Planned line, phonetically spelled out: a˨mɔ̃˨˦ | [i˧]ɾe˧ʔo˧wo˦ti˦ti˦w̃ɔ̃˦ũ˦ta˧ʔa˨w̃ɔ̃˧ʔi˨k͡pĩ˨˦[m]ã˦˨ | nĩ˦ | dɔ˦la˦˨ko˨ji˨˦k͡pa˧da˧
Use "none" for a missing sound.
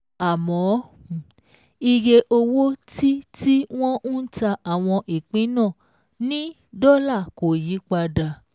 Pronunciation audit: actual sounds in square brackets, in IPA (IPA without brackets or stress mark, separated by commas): i˧, n